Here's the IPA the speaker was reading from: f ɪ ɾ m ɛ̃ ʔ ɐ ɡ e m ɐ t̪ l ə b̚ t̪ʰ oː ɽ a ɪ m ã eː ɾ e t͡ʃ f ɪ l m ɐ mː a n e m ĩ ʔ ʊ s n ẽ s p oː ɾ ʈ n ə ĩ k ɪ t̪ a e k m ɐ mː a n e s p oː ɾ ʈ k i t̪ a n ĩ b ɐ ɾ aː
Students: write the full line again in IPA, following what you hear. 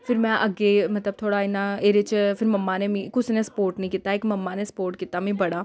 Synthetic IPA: f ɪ ɾ m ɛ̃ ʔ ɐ ɡ e m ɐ t̪ l ə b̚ t̪ʰ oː ɽ a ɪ n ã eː ɾ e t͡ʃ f ɪ ɾ m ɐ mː a n e m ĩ k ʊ s n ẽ s p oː ɾ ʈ n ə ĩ k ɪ t̪ a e k m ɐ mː a n e s p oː ɾ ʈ k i t̪ a m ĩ b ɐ ɽ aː